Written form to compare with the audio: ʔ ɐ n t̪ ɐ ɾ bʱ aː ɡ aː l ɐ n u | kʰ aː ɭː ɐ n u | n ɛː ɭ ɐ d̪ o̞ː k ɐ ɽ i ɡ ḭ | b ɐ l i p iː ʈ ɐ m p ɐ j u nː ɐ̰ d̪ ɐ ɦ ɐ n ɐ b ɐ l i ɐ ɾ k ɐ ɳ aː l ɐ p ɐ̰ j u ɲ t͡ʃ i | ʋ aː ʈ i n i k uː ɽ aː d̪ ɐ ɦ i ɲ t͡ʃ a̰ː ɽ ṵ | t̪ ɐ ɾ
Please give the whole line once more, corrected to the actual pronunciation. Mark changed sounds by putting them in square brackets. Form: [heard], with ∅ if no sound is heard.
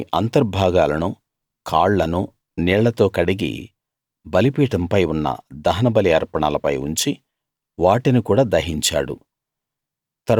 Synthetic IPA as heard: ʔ ɐ n t̪ ɐ ɾ bʱ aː ɡ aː l ɐ n u | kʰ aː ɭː ɐ n u | n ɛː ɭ ɐ [t̪] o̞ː k ɐ ɽ i ɡ ḭ | b ɐ l i p iː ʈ ɐ m p ɐ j u nː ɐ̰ d̪ ɐ ɦ ɐ n ɐ b ɐ l i ɐ ɾ [p] ɐ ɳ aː l ɐ p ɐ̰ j u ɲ t͡ʃ i | ʋ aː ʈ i n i k uː ɽ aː d̪ ɐ ɦ i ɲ t͡ʃ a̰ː ɽ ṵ | t̪ ɐ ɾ